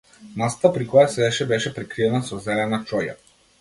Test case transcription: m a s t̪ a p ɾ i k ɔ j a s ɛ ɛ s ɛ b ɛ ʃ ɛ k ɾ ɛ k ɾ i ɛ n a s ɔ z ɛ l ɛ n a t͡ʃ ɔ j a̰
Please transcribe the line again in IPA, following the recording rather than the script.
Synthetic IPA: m a s t̪ a p ɾ i k ɔ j a s ɛ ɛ ʃ ɛ b ɛ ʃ ɛ p ɾ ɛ k ɾ i ɛ n a s ɔ z ɛ l ɛ n a t͡ʃ ɔ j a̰